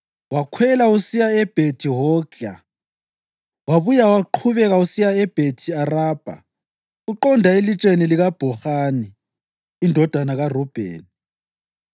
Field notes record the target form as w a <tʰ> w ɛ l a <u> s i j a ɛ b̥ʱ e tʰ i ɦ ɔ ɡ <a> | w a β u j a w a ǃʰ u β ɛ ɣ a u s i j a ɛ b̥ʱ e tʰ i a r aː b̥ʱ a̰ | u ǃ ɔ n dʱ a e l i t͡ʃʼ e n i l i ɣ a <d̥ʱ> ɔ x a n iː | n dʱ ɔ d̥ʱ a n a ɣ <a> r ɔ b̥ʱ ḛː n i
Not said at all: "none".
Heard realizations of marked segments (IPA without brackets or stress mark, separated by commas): kʰ, u, a, b̥ʱ, a